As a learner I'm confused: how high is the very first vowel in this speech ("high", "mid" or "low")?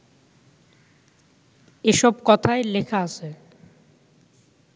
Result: mid